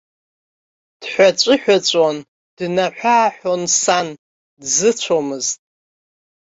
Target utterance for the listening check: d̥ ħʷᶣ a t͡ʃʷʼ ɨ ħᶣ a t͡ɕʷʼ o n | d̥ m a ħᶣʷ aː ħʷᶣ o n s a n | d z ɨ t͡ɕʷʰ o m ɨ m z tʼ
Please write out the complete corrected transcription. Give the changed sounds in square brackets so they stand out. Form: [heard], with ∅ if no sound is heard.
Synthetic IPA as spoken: d̥ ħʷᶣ a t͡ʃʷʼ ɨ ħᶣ a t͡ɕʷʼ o n | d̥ [n] a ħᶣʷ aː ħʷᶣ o n s a n | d z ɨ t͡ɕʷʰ o m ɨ [∅] z tʼ